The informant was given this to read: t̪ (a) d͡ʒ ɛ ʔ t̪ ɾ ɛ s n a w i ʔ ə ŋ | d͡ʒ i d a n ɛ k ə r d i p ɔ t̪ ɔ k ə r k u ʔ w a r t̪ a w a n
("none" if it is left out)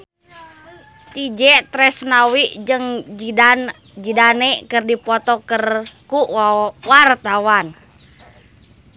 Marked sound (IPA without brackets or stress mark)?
i